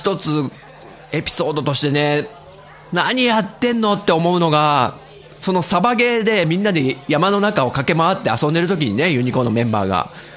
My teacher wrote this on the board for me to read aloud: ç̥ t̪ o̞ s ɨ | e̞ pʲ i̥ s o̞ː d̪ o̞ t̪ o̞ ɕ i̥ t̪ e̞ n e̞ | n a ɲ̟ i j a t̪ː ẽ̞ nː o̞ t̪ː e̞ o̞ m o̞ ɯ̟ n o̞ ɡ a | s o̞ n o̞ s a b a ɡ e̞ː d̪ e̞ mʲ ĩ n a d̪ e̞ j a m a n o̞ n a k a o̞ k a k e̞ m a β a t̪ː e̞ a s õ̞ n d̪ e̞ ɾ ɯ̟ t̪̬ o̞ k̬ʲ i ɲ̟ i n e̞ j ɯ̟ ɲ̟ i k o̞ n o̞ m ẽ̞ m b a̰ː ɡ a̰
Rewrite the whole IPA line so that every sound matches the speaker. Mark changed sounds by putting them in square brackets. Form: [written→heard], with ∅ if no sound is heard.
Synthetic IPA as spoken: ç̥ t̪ o̞ [s→t͡s] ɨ | e̞ pʲ i̥ s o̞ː d̪ o̞ t̪ o̞ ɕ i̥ t̪ e̞ n e̞ | n a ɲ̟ i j a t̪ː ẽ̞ nː o̞ t̪ː e̞ o̞ m o̞ ɯ̟ n o̞ ɡ a | s o̞ n o̞ s a b a ɡ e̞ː d̪ e̞ mʲ ĩ [n→nː] a d̪ e̞ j a m a n o̞ n a k a o̞ k a k e̞ m a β a t̪ː e̞ a s õ̞ n d̪ e̞ ɾ ɯ̟ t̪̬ o̞ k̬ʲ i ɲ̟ i n e̞ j ɯ̟ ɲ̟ i k o̞ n o̞ m ẽ̞ m b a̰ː ɡ a̰